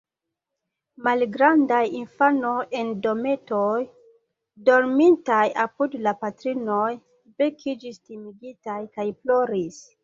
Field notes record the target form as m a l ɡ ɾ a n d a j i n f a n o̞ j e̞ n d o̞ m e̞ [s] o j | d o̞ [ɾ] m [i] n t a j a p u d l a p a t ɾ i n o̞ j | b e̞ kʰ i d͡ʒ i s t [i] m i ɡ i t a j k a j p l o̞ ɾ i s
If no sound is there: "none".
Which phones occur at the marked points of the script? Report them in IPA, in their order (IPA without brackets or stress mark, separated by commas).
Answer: t, ɾ, i, i